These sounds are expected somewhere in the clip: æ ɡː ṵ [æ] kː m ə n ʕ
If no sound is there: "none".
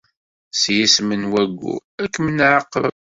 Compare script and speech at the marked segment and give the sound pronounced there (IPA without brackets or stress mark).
æ